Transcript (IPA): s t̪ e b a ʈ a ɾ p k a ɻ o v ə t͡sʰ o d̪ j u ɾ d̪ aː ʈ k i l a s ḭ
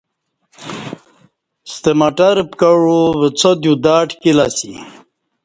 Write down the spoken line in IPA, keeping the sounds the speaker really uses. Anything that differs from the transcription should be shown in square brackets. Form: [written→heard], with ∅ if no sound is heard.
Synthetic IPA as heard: s t̪ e [b→m] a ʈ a ɾ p k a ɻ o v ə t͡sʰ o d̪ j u [ɾ→∅] d̪ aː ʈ k i l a s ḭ